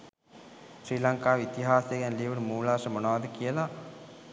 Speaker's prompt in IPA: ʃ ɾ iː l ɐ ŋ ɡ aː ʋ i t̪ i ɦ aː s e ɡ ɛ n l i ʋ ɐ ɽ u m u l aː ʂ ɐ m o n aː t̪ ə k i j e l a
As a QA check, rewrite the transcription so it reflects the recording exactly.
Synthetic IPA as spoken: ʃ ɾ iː l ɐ ŋ k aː ʋ i t̪ i ɦ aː s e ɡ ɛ n l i ʋ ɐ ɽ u m uː l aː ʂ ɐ m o n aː d̪ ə k i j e l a